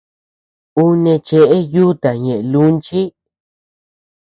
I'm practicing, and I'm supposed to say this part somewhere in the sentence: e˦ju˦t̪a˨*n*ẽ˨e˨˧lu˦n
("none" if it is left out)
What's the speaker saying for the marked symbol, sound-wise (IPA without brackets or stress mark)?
ɲ